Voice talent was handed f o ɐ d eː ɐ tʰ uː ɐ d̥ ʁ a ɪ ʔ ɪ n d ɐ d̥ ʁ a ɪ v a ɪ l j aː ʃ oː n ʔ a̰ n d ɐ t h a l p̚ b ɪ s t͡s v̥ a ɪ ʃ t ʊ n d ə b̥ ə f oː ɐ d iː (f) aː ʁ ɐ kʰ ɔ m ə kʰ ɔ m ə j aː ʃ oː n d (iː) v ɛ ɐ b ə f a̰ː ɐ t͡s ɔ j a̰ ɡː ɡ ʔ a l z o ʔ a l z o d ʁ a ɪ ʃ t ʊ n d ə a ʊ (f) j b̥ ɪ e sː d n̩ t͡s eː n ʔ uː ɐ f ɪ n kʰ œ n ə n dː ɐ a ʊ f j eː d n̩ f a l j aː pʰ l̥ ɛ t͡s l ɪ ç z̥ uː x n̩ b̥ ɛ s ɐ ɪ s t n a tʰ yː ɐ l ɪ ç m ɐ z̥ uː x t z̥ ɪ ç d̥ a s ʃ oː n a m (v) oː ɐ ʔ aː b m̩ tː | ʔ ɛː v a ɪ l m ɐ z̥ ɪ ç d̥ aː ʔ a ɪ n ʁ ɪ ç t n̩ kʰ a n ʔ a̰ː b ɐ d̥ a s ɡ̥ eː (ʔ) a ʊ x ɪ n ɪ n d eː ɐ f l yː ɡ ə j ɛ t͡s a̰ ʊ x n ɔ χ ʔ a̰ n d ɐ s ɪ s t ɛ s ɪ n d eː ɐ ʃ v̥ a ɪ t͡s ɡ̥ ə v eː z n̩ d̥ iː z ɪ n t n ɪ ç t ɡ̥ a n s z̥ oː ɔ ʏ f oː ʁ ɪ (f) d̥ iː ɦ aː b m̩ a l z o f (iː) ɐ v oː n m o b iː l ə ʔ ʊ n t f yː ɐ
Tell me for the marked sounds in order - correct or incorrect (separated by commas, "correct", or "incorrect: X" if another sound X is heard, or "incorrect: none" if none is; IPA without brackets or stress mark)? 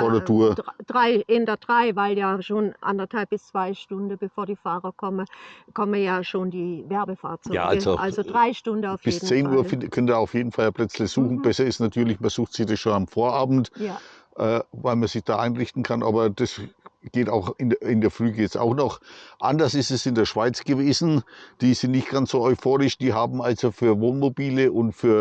correct, correct, correct, incorrect: f, incorrect: t, incorrect: ʃ, incorrect: yː